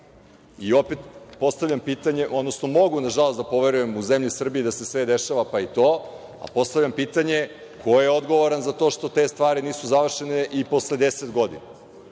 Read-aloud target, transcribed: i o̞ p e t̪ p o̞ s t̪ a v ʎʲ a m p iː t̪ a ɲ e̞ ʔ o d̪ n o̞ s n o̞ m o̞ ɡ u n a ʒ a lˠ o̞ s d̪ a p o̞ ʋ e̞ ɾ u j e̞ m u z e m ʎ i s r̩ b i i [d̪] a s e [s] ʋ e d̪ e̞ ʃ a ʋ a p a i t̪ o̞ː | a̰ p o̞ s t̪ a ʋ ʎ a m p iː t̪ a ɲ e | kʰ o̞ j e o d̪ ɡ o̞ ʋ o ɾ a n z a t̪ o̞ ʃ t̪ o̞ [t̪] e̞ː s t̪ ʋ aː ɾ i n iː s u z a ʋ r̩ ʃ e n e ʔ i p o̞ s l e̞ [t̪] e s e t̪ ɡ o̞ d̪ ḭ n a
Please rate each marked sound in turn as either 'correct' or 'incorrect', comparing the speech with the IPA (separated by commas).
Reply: correct, correct, correct, incorrect